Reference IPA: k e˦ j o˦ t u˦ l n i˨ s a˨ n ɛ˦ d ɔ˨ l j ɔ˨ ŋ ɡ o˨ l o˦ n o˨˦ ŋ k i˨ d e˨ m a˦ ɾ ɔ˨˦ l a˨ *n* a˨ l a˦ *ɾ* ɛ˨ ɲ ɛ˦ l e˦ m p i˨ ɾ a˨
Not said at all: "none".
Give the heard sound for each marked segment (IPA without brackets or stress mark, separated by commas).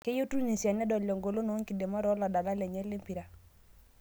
d, l